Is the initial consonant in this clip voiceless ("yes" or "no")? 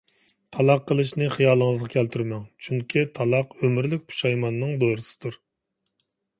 yes